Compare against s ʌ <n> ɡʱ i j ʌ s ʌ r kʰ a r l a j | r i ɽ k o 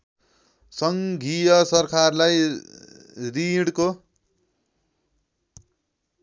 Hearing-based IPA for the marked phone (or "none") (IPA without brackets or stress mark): ŋ